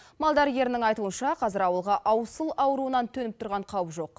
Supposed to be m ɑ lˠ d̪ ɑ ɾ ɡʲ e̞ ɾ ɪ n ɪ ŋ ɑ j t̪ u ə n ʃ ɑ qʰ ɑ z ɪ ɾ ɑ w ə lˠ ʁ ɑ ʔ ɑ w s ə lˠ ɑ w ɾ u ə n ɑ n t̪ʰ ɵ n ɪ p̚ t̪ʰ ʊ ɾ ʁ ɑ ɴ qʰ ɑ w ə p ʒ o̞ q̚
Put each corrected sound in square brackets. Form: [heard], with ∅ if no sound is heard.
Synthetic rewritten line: m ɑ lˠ d̪ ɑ ɾ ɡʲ e̞ ɾ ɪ n ɪ ŋ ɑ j t̪ u ə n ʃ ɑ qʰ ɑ z ɪ ɾ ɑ w ə lˠ ʁ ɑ ʔ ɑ w s ə lˠ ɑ w ɾ u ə n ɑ n t̪ʰ ɵ n ɪ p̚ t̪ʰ ʊ ɾ ʁ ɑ ɴ qʰ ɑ w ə p ʒ o̞ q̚

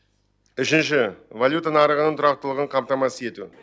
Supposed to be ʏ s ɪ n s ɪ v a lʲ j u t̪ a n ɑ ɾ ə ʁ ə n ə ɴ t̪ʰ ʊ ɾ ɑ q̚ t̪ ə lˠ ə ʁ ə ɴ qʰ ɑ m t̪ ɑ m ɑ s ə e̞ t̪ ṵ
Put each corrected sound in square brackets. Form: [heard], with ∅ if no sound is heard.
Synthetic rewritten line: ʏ [ʃ] ɪ n [ʃ] ɪ v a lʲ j u t̪ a n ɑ ɾ ə ʁ ə n ə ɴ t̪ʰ ʊ ɾ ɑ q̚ t̪ ə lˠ ə ʁ ə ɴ qʰ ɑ m t̪ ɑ m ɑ s ə e̞ t̪ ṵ

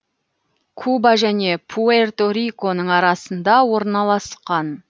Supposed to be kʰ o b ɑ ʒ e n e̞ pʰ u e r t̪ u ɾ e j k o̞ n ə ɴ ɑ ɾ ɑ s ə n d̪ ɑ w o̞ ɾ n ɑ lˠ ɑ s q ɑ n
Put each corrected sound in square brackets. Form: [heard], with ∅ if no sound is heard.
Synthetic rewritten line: kʰ [u] b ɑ ʒ [æ] n e̞ pʰ u e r t̪ [o] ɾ [i] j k o̞ n ə ɴ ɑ ɾ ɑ s ə n d̪ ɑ w o̞ ɾ n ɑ lˠ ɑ s q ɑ n

